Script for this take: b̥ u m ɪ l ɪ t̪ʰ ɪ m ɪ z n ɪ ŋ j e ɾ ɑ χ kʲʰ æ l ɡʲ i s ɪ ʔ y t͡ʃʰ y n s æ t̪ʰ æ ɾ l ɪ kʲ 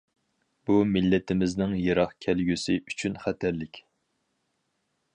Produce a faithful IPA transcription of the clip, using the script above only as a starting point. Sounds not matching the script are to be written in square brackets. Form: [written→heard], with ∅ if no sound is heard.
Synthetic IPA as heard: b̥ u m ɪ [l→lː] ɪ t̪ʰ ɪ m ɪ z n ɪ ŋ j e ɾ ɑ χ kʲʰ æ l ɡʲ [i→y] s ɪ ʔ y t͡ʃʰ y n [s→χ] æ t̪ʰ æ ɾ l ɪ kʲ